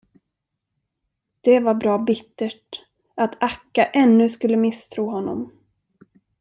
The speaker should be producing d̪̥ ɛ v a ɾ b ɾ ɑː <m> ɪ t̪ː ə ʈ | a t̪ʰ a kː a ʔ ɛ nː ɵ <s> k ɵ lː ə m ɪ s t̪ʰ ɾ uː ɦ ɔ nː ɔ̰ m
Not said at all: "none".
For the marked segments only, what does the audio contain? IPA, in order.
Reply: b, s

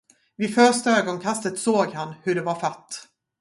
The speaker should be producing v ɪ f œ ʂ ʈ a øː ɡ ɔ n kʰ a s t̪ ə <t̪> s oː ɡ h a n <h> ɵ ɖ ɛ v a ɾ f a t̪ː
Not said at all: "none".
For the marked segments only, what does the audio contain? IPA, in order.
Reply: t̪, h

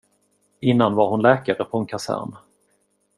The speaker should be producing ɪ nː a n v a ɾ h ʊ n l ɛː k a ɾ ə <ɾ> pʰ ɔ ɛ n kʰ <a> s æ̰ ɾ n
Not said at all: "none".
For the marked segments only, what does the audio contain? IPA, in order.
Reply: none, a

